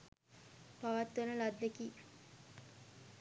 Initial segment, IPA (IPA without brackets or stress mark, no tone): p